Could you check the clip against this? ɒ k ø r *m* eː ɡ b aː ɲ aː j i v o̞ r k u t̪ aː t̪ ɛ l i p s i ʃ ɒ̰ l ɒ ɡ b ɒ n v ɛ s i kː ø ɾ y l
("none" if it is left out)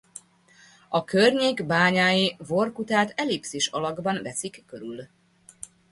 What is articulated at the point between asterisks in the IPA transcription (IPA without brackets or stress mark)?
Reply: ɲ